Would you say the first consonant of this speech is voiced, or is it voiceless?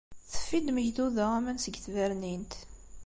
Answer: voiceless